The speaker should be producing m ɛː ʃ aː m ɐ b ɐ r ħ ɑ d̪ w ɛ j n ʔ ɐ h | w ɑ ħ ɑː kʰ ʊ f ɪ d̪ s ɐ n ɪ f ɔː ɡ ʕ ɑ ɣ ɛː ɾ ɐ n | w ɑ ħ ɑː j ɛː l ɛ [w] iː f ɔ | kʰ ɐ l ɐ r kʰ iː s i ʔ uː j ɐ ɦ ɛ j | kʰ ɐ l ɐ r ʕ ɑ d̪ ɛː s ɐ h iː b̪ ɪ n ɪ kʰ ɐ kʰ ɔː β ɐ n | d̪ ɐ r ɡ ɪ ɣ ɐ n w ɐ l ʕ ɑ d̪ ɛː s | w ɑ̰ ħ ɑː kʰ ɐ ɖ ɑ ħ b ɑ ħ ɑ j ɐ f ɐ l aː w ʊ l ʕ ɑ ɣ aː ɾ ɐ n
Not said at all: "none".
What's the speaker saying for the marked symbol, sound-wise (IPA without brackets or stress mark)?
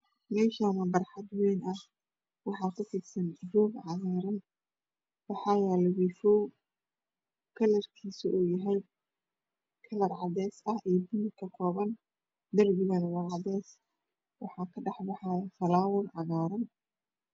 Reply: w